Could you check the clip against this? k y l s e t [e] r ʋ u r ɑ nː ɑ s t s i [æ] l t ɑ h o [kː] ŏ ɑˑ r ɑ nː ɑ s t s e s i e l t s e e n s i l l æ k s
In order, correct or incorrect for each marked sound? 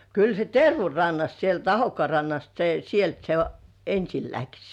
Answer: correct, incorrect, correct

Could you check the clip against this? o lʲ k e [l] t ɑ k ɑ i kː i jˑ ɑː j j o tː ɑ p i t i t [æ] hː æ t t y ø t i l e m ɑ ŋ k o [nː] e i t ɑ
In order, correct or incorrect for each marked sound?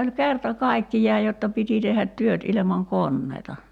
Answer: incorrect, incorrect, correct

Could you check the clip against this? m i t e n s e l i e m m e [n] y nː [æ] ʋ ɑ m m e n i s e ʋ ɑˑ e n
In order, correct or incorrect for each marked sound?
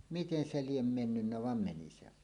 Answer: incorrect, correct

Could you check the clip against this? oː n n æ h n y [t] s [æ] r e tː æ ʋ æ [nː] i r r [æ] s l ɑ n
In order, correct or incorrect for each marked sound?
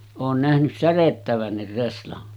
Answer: incorrect, correct, correct, incorrect

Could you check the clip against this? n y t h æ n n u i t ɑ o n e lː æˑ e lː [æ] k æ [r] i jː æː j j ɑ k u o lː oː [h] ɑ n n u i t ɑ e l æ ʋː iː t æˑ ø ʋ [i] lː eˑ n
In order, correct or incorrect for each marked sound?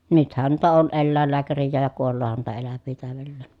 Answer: incorrect, correct, correct, incorrect

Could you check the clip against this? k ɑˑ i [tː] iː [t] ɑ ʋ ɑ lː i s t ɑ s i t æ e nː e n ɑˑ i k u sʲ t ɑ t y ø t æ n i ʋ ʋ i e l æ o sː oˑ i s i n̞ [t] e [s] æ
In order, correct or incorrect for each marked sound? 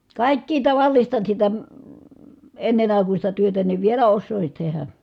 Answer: incorrect, correct, correct, incorrect

